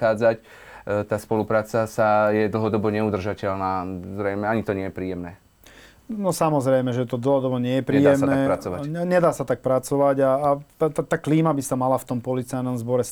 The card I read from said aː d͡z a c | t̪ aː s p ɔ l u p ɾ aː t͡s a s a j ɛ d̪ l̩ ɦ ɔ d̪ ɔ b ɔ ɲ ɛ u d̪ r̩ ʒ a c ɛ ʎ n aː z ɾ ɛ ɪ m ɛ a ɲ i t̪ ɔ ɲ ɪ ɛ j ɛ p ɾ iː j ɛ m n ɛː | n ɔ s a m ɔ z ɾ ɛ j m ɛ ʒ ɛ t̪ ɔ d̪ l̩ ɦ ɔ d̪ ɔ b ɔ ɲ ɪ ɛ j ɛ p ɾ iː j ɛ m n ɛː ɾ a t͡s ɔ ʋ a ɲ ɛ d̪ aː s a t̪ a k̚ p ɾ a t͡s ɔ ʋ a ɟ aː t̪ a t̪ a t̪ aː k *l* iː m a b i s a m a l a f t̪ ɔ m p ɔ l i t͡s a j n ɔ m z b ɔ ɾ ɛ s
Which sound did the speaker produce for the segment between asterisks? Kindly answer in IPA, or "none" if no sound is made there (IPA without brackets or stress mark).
l